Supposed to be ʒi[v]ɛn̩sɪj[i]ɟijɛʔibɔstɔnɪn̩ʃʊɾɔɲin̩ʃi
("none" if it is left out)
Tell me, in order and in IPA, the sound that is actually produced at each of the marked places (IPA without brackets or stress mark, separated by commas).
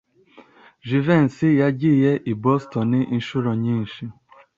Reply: v, a